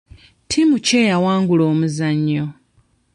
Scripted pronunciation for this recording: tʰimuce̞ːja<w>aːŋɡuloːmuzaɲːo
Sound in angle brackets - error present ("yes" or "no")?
no